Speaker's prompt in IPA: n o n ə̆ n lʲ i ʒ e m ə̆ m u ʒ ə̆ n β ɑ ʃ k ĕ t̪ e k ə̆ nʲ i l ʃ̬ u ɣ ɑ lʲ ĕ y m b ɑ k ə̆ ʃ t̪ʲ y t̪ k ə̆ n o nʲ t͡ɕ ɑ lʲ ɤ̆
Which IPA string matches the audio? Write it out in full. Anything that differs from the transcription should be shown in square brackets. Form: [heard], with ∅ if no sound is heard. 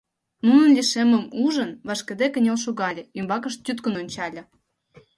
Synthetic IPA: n [u] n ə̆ n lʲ i [ʃ] e m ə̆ m u ʒ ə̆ n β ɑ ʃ k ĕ [d̪] e k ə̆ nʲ [e] l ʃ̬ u ɣ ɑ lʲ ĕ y m b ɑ k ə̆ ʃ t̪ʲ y t̪ k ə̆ n o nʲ t͡ɕ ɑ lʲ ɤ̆